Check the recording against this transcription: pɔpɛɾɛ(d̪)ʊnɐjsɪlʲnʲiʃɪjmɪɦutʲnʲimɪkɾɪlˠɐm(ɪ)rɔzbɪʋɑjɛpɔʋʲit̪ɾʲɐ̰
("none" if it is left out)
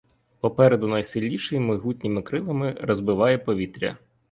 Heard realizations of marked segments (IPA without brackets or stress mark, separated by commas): d̪, ɪ